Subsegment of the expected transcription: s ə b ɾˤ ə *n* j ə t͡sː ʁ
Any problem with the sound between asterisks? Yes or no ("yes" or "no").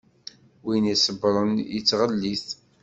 no